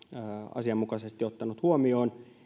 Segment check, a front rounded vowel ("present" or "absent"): absent